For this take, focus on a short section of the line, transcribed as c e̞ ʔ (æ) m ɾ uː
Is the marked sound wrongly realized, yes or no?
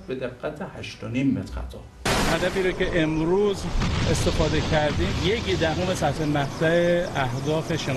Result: yes